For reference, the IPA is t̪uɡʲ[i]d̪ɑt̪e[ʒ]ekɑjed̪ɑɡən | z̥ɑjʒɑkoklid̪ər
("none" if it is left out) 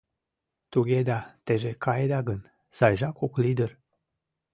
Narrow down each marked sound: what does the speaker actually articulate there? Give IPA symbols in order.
e, ʒ

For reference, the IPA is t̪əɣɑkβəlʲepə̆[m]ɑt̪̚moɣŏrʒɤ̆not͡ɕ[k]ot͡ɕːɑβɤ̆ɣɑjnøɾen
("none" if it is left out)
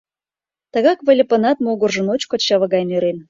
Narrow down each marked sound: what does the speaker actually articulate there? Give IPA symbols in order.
n, k

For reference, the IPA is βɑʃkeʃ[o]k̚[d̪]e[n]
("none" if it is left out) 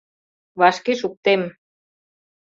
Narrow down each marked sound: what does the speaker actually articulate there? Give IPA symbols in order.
u, t̪, m

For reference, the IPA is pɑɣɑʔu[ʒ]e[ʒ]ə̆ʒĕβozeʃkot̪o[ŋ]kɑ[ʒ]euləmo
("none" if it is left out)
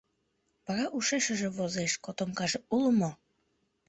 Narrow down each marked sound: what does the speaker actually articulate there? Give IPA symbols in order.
ʃ, ʃ, m, ʒ

